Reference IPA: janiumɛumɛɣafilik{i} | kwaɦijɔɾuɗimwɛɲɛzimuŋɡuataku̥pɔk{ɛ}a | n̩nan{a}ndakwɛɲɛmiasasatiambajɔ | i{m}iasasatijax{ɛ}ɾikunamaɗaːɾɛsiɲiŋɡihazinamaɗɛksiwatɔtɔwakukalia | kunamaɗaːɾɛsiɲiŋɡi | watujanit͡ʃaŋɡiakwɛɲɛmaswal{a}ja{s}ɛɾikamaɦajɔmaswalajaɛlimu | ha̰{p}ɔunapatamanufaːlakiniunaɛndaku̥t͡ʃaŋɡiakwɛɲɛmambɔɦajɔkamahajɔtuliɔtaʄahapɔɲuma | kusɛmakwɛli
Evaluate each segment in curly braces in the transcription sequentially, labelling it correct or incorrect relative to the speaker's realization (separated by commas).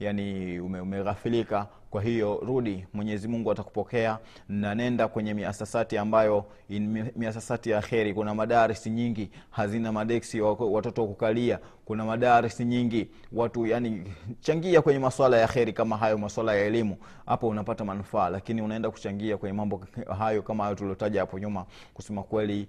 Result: incorrect, correct, incorrect, correct, correct, correct, incorrect, correct